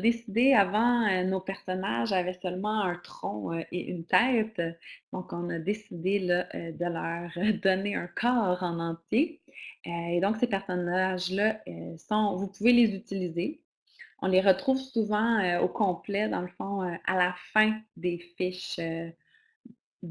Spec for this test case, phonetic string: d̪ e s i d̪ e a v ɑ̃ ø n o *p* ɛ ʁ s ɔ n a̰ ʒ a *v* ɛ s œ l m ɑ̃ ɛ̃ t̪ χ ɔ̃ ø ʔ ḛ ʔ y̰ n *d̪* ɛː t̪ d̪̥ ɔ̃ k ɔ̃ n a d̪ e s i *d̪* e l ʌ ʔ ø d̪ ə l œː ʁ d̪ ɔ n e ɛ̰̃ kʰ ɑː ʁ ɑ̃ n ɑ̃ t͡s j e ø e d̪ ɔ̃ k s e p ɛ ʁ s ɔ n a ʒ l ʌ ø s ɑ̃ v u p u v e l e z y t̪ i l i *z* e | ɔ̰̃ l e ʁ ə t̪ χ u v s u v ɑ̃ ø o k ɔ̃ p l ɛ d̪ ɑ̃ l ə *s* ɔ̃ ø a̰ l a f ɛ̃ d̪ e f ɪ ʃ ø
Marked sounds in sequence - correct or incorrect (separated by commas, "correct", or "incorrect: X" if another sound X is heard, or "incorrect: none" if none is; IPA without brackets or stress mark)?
correct, correct, incorrect: t̪, correct, correct, incorrect: f